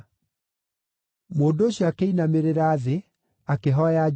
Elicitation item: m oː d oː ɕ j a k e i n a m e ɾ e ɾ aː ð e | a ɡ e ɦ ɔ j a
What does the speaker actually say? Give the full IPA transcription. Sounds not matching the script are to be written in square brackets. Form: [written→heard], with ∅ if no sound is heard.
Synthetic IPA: m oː d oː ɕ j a k e i n a m e ɾ e ɾ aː ð e | a [ɡ→k] e ɦ ɔ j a